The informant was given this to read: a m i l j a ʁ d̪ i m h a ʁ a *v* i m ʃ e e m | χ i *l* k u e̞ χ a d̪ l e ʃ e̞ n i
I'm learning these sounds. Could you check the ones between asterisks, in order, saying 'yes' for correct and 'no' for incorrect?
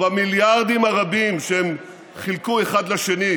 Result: no, yes

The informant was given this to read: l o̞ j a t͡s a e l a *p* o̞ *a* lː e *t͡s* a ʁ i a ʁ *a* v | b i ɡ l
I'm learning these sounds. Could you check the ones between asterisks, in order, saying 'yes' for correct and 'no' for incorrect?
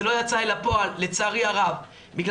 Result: yes, yes, yes, yes

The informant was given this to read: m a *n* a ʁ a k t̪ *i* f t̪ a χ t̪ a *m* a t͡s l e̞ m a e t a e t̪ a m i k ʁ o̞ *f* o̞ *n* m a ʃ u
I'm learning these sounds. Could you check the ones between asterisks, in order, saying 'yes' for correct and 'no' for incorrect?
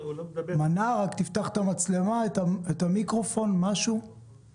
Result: yes, yes, yes, yes, yes

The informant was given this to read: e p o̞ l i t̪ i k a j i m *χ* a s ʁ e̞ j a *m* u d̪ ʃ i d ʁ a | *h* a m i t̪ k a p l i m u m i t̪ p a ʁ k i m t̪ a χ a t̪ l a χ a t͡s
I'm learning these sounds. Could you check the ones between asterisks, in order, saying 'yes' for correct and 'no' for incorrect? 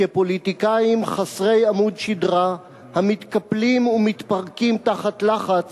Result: yes, yes, yes

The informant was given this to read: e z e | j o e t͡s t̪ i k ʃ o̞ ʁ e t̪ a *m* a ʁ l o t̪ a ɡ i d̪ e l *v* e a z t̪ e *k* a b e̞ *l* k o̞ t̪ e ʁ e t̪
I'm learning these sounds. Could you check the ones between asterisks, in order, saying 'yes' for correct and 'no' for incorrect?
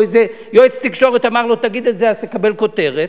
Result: yes, no, yes, yes

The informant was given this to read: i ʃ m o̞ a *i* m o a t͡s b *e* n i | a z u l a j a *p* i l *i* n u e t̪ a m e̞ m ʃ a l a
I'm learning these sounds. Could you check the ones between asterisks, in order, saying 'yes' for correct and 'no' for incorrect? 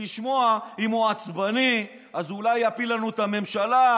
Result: yes, no, yes, no

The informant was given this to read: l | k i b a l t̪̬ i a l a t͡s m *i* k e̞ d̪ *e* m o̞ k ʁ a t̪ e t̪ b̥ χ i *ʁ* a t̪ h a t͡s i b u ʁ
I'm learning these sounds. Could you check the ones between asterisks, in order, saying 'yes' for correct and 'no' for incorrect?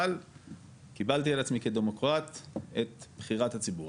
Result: yes, yes, yes

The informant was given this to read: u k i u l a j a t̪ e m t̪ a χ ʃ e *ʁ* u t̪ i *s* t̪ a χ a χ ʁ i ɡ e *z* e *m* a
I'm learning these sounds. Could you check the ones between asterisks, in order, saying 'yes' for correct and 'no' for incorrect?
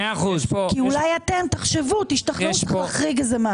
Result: no, no, yes, yes

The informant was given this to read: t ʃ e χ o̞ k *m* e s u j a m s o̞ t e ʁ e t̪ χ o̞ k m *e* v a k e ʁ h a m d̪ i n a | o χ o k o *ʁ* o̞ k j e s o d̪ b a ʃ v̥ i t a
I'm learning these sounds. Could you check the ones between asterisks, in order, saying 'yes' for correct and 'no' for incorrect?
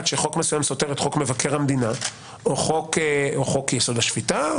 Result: yes, yes, no

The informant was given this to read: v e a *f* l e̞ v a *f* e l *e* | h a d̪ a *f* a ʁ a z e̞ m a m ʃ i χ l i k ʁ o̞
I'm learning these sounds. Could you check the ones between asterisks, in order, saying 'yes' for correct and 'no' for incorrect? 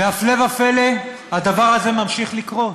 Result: yes, yes, yes, no

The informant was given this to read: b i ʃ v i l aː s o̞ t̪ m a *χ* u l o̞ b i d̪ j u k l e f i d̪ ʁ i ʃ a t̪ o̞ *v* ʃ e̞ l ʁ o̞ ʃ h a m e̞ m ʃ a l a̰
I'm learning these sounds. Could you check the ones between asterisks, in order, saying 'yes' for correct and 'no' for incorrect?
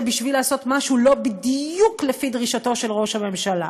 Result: no, no

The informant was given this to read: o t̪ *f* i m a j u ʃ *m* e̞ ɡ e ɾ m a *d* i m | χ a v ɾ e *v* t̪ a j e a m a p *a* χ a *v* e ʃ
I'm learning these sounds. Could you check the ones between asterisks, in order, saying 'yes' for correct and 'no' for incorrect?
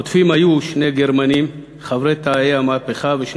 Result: yes, no, no, no, no, yes

